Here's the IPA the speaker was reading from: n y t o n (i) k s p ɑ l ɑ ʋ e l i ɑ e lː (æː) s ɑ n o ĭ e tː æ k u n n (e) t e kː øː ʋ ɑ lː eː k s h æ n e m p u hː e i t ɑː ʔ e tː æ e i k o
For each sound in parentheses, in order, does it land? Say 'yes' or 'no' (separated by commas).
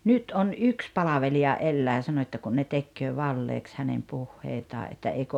no, yes, yes